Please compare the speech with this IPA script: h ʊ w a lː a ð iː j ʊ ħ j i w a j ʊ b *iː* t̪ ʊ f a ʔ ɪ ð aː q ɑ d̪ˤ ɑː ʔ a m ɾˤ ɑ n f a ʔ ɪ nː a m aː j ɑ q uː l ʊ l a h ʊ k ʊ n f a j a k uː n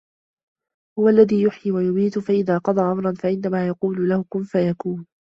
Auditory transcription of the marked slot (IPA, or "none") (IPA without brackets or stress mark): iː